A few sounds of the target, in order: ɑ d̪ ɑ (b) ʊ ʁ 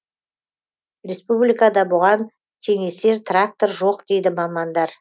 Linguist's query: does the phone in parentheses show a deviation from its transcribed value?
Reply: no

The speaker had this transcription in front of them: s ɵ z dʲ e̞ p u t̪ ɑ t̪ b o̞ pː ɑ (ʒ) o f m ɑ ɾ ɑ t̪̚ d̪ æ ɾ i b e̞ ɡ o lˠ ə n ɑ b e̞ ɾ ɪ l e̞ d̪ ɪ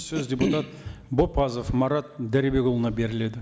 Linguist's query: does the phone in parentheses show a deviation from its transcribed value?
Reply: yes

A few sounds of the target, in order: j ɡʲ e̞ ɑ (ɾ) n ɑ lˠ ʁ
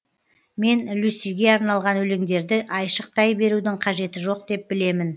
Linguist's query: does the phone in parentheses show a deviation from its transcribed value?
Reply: no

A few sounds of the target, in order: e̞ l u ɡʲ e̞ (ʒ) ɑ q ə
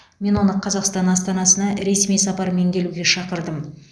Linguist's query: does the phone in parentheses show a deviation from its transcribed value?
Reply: yes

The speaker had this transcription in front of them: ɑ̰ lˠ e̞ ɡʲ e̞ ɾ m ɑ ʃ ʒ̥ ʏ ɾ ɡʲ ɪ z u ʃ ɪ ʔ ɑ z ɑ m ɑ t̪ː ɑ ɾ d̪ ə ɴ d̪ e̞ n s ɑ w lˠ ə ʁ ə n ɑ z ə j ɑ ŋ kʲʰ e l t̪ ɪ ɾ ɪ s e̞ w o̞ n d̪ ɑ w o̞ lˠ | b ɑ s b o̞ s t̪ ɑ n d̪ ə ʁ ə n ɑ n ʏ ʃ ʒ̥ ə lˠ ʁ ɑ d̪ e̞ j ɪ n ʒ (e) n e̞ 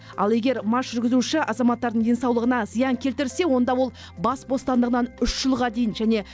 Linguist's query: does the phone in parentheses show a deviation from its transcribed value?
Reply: yes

